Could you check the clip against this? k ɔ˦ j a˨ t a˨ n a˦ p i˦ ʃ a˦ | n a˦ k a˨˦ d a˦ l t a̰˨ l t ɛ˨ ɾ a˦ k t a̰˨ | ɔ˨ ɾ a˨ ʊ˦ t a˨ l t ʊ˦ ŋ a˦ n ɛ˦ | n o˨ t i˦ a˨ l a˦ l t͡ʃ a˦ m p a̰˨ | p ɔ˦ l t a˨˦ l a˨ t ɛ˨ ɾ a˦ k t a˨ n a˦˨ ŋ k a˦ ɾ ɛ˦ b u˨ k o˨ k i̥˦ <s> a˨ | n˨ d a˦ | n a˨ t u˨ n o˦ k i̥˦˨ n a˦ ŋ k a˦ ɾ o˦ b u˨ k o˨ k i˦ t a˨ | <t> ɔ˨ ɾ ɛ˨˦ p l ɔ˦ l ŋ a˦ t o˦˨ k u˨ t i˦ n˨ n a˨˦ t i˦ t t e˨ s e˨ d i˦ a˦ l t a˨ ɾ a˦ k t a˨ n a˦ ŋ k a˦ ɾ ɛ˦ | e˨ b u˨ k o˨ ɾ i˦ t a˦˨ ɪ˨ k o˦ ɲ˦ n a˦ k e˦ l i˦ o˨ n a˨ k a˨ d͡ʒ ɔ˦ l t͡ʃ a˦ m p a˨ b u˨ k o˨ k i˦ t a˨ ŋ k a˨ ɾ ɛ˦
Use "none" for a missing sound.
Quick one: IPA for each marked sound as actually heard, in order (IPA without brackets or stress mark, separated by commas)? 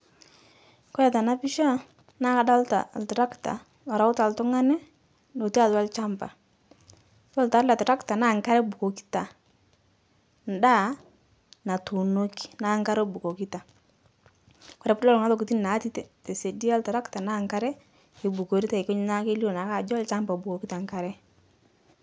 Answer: t, k